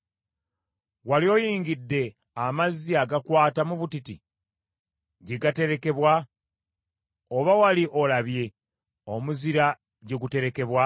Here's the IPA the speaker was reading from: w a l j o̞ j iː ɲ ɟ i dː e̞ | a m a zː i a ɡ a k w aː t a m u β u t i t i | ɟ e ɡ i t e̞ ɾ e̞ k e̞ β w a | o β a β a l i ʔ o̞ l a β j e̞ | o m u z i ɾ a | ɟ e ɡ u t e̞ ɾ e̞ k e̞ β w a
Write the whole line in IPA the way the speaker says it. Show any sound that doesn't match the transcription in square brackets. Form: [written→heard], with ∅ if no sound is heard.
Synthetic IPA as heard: w a l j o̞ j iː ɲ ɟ i dː e̞ | a m a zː i a ɡ a k w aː t a m u β u t i t i | ɟ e ɡ [i→a] t e̞ ɾ e̞ k e̞ β w a | o β a [β→w] a l i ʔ o̞ l a β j e̞ | o m u z i ɾ a | ɟ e ɡ u t e̞ ɾ e̞ k e̞ β w a